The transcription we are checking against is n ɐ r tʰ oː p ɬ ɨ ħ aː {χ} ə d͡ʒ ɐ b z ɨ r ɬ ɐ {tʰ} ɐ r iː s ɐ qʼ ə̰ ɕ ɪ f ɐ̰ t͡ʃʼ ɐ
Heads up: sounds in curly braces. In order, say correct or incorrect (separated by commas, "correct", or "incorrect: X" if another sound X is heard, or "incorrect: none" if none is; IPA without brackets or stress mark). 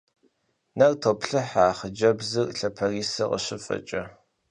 correct, incorrect: pʰ